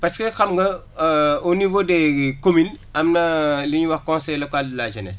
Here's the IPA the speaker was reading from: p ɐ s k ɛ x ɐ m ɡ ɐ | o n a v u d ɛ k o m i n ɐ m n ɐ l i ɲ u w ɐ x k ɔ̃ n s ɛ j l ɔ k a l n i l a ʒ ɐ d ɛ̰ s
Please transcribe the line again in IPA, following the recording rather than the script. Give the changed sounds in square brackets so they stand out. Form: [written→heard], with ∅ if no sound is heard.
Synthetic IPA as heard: p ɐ s k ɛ x ɐ m ɡ ɐ | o n [a→i] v [u→o] d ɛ k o m i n ɐ m n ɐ l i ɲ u w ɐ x k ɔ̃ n s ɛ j l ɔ k a l [n→d] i l a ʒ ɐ [d→n] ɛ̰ s